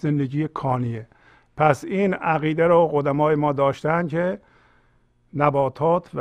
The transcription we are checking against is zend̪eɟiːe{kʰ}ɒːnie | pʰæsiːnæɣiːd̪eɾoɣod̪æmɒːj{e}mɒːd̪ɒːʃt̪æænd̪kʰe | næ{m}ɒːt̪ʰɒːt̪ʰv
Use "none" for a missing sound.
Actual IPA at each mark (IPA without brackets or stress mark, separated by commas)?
kʰ, e, b